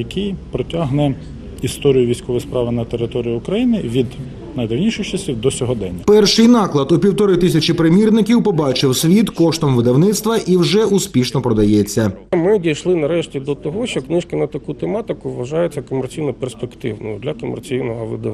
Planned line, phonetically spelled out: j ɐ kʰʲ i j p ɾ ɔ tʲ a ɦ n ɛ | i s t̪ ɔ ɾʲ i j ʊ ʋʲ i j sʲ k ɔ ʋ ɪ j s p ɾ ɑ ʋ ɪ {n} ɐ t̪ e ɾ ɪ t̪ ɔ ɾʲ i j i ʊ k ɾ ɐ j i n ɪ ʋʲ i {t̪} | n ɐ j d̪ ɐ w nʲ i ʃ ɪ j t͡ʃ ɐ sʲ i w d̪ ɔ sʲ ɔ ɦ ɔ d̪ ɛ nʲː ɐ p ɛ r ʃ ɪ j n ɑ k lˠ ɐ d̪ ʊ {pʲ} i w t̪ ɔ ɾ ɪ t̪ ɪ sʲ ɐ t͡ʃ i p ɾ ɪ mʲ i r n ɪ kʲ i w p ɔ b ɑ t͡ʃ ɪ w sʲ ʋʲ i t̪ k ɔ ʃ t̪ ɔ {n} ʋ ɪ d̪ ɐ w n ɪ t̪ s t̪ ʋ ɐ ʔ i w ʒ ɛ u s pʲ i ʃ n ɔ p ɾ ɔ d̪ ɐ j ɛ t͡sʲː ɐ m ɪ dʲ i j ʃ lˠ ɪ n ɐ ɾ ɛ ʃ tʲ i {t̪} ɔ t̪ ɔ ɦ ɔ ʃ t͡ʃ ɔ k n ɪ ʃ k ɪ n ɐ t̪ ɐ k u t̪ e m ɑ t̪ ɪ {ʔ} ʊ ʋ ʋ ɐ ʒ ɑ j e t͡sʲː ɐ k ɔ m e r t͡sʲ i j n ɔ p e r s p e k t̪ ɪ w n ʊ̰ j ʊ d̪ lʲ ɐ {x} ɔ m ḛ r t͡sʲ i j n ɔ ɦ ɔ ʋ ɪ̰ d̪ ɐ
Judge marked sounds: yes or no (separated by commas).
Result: yes, no, yes, no, no, no, no